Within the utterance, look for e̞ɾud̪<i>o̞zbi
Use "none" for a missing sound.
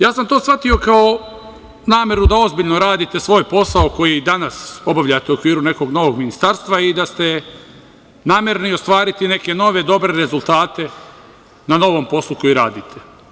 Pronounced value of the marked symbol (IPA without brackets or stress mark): a